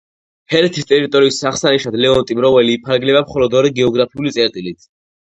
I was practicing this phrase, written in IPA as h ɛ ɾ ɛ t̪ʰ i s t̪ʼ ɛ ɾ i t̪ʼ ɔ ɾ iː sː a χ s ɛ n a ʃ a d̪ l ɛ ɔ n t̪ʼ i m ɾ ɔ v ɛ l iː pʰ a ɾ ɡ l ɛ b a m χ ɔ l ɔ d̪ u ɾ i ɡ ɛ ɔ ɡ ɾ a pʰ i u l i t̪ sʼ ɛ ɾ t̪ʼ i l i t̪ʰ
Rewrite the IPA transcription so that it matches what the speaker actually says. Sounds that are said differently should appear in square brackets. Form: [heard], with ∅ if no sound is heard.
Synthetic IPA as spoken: h ɛ ɾ ɛ t̪ʰ i s t̪ʼ ɛ ɾ i t̪ʼ ɔ ɾ iː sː a χ s [a] n [i] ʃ a d̪ l ɛ ɔ n t̪ʼ i m ɾ ɔ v ɛ l iː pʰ a ɾ ɡ l ɛ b a m χ ɔ l ɔ d̪ [ɔ] ɾ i ɡ ɛ ɔ ɡ ɾ a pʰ i u l i t̪ sʼ ɛ ɾ t̪ʼ i l i t̪ʰ